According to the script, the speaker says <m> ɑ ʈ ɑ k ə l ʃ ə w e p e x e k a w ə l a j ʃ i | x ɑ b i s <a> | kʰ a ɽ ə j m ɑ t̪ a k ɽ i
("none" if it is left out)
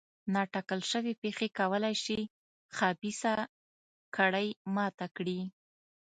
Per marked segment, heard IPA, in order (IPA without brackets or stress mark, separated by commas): n, a